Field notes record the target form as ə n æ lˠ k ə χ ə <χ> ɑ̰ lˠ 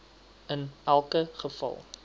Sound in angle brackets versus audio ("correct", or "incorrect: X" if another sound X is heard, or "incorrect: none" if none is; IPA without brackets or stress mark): incorrect: f